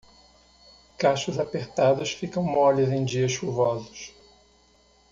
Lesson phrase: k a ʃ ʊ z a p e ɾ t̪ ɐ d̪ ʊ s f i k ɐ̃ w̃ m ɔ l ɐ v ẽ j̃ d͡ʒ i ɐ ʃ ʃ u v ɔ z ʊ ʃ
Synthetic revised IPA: k a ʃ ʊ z a p e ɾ t̪ a d̪ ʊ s f i k ɐ̃ w̃ m ɔ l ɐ z ẽ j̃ d͡ʒ i ɐ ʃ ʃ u v ɔ z ʊ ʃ